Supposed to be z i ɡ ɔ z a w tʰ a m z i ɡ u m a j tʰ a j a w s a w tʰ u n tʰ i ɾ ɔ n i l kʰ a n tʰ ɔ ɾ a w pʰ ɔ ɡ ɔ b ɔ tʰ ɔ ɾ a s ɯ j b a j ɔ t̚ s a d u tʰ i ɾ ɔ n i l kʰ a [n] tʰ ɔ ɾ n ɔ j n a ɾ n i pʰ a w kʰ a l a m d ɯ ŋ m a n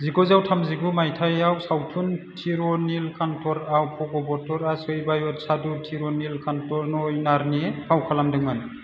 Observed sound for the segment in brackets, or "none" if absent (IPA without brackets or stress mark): n